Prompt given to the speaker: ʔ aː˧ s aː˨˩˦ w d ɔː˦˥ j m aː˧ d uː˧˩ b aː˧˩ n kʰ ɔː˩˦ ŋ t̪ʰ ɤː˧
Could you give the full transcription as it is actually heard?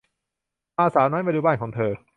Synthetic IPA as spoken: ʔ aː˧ s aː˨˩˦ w n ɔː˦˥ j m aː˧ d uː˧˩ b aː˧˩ n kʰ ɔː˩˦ ŋ t̪ʰ ɤː˧

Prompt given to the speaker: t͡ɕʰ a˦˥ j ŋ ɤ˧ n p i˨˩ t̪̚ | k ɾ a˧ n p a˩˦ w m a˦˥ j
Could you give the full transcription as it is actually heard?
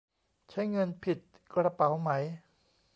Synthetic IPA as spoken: t͡ɕʰ a˦˥ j ŋ ɤ˧ n pʰ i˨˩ t̪̚ | k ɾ a˧ p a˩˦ w m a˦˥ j

